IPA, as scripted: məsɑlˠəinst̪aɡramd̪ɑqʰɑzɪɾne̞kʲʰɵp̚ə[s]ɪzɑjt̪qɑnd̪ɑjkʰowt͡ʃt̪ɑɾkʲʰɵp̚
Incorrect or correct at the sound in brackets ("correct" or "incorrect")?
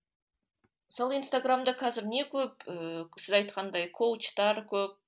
correct